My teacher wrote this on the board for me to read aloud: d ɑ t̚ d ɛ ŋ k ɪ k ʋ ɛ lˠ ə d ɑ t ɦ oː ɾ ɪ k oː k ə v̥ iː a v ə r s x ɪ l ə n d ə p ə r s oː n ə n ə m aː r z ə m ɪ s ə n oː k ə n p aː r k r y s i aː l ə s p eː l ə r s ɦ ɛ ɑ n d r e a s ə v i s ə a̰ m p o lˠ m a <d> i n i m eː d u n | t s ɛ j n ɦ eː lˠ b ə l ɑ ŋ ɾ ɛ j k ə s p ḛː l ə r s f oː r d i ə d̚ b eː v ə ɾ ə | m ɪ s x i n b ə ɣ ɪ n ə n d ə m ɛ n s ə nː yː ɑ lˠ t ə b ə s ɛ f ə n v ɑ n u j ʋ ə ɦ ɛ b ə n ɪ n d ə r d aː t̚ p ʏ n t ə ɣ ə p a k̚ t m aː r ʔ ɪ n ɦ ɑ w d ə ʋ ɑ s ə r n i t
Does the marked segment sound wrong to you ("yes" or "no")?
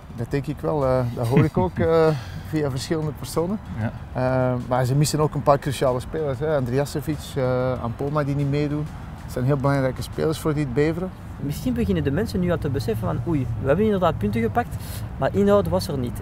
no